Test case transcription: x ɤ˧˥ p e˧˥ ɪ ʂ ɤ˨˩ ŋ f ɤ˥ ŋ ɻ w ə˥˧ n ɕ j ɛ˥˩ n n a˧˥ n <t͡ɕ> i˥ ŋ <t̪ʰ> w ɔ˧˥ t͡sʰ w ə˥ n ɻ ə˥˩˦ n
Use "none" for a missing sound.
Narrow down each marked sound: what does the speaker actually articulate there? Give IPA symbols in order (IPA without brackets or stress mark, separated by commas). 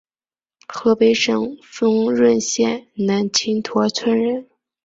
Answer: t͡ɕʰ, t̪ʰ